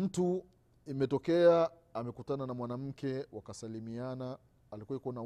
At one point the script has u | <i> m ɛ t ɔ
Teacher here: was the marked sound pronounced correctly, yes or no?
yes